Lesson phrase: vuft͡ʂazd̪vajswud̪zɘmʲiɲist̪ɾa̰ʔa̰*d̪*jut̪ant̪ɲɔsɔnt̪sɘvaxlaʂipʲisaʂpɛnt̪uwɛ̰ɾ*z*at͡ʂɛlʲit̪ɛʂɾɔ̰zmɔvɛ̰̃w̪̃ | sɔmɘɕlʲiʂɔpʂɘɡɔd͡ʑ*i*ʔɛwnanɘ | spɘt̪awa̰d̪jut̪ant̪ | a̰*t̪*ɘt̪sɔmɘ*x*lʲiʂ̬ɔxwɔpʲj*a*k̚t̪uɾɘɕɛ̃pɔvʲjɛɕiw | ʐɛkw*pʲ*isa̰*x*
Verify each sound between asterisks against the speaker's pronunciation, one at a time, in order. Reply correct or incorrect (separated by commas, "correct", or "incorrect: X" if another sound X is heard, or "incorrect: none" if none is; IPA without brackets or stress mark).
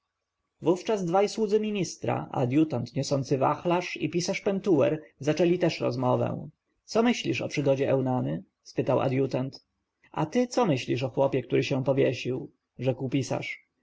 correct, correct, incorrect: ɛ, correct, incorrect: ɕ, incorrect: ɛ, correct, incorrect: ʂ